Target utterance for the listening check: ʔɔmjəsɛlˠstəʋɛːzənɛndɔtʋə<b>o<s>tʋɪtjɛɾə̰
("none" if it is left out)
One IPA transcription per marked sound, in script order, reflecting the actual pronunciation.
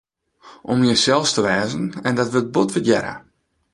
b, none

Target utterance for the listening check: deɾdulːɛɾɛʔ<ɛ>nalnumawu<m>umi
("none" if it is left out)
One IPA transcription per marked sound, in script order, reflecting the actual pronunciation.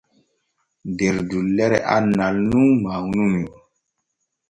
a, n

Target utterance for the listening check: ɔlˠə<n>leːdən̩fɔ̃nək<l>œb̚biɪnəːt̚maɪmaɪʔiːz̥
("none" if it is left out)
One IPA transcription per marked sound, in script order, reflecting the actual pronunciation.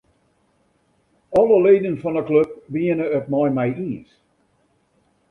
none, l

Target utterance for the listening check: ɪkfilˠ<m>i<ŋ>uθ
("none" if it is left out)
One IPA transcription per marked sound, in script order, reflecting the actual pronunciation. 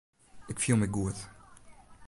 m, ɡ

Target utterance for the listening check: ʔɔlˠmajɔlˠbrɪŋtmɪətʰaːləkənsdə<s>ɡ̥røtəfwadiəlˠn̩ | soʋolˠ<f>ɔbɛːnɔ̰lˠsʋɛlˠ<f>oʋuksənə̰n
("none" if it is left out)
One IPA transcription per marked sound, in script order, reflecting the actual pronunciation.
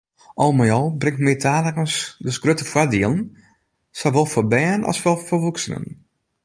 s, f, f

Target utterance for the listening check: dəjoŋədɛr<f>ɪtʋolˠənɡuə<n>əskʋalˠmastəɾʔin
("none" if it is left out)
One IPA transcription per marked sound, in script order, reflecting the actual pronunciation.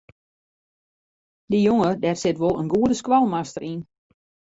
s, d

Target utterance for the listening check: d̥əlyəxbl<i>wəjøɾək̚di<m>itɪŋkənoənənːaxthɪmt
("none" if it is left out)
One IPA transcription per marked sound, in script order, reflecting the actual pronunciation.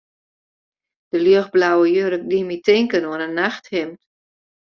a, m

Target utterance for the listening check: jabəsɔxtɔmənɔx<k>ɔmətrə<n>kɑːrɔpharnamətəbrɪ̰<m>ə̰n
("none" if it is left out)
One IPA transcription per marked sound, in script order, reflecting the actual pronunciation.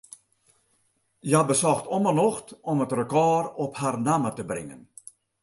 t, none, ŋ

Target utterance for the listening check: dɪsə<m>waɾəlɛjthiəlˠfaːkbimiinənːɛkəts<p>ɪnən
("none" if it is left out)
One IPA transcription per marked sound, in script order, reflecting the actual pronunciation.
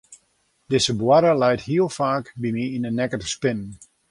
b, p

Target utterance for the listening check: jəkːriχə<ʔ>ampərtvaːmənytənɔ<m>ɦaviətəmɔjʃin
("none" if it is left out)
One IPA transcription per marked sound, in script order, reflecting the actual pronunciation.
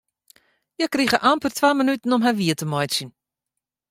ʔ, m

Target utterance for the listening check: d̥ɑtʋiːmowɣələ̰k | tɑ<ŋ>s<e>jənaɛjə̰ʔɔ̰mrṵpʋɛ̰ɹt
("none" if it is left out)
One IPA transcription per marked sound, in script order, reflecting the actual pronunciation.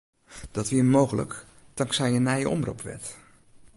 ŋ, ɛ

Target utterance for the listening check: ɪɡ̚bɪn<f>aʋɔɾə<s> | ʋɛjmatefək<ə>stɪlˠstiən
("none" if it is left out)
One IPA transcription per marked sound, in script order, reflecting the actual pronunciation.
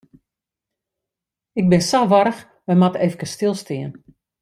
s, x, ə

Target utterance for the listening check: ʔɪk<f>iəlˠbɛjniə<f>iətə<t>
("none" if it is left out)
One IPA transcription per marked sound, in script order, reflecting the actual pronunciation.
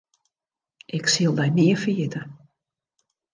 s, f, none

